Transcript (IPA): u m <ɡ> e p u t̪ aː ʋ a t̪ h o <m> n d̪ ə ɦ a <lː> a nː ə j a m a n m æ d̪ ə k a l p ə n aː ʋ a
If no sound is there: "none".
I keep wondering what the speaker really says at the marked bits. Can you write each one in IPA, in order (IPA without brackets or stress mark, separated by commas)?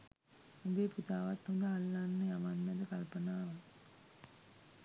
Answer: b, none, lː